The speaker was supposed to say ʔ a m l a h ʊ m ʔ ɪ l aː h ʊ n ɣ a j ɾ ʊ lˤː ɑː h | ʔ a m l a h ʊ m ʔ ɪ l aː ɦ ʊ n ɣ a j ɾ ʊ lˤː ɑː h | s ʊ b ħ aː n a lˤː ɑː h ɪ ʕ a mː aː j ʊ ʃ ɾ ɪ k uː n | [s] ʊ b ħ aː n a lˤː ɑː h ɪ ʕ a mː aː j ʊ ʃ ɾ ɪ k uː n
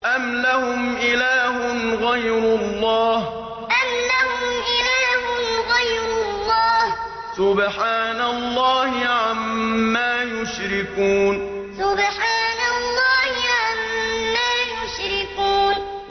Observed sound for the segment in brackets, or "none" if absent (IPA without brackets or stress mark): s